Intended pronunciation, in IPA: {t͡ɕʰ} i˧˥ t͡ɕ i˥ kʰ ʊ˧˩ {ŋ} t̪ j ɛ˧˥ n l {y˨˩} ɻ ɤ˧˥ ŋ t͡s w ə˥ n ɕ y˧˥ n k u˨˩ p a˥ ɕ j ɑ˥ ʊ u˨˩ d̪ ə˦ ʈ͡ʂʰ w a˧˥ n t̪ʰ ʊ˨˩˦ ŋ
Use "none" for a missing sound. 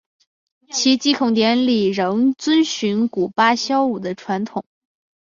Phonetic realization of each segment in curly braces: t͡ɕʰ, ŋ, i˨˩

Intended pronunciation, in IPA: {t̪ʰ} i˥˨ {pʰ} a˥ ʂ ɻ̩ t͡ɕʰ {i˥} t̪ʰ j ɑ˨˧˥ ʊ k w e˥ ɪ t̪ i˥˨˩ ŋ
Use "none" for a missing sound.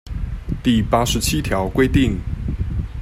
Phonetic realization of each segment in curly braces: t̪, p, i˥

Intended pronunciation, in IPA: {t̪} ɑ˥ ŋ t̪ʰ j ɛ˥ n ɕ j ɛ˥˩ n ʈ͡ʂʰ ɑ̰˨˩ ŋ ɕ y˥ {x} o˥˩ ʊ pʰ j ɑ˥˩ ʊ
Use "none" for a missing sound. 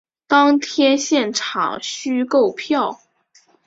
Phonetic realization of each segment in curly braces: t̪, k

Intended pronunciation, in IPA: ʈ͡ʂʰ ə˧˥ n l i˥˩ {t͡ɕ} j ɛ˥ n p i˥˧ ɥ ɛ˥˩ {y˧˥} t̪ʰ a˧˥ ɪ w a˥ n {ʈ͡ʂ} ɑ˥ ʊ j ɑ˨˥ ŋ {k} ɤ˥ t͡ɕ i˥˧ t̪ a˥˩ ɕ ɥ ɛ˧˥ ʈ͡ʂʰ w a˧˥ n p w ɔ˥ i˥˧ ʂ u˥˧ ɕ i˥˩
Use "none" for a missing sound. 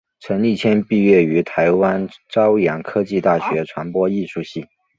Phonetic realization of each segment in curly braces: t͡ɕʰ, y˧˥, ʈ͡ʂ, kʰ

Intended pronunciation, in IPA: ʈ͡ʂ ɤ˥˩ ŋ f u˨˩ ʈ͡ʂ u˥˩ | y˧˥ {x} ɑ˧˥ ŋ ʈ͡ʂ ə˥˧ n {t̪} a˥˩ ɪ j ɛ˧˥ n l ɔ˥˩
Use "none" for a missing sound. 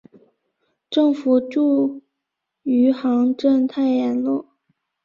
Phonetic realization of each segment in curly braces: x, t̪ʰ

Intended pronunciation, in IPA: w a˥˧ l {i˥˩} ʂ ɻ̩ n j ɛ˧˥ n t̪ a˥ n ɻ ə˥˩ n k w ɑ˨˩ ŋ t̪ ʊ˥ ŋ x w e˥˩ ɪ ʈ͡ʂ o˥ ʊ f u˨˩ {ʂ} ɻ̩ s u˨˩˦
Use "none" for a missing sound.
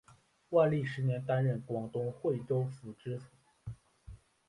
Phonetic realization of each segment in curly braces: i˥˩, ʈ͡ʂ

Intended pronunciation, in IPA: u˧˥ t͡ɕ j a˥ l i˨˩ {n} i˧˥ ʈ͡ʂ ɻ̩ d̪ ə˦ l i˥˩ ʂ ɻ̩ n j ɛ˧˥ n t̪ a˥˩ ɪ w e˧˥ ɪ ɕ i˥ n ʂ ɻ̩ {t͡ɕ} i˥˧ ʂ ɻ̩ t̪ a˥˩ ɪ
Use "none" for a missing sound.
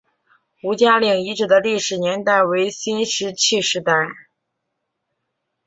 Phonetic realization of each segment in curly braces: ŋ, t͡ɕʰ

